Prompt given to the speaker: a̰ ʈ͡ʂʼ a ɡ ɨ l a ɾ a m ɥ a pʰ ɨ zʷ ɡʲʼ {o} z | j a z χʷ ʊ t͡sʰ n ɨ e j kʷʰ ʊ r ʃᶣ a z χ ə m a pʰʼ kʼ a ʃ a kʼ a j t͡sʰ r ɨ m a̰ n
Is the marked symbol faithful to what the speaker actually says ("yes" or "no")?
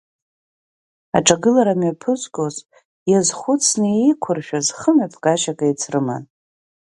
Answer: yes